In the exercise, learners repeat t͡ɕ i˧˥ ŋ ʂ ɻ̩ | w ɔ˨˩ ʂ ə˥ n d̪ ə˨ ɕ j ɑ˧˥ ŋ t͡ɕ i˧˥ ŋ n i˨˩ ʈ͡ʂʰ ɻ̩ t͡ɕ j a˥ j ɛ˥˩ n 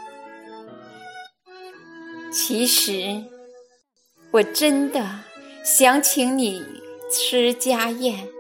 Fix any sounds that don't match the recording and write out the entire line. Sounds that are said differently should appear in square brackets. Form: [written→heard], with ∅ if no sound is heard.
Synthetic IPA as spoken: [t͡ɕ→t͡ɕʰ] i˧˥ [ŋ→∅] ʂ ɻ̩ | w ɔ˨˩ [ʂ→ʈ͡ʂ] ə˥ n d̪ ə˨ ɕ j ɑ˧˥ ŋ [t͡ɕ→t͡ɕʰ] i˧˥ ŋ n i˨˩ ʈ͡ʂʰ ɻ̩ t͡ɕ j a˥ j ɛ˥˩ n